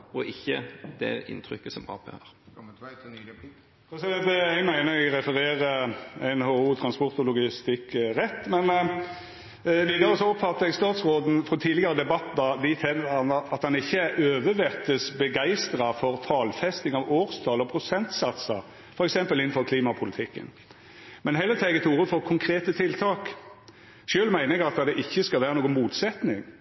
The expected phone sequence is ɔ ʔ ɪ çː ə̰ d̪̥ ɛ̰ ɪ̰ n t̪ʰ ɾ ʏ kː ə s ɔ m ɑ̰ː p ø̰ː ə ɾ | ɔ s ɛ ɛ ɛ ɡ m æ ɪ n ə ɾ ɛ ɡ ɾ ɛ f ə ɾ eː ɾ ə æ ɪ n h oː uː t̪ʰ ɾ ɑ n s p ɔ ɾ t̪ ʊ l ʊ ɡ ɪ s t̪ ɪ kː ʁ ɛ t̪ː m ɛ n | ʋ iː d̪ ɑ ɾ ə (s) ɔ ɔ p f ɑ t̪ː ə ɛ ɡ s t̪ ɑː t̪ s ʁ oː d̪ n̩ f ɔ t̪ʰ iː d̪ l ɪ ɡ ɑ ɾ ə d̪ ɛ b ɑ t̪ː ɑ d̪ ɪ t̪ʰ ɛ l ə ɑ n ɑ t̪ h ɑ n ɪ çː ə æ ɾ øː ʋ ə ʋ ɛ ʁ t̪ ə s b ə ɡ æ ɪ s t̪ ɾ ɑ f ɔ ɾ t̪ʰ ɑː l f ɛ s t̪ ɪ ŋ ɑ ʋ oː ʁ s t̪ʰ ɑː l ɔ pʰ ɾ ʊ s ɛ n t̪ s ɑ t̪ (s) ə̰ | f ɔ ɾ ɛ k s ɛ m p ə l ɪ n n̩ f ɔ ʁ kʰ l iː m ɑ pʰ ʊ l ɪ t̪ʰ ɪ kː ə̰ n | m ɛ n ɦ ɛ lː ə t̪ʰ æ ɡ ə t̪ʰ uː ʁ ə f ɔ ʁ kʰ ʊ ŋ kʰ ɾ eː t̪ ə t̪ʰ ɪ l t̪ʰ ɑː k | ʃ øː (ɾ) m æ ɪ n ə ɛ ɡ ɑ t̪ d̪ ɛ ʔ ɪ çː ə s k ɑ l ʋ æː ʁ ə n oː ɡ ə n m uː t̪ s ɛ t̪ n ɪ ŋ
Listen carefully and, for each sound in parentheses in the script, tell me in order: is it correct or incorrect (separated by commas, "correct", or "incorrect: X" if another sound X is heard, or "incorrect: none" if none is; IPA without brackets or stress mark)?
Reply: correct, correct, incorrect: l